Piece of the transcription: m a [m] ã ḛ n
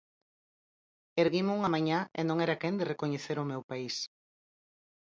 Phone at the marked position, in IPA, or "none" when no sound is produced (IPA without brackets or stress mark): ɲ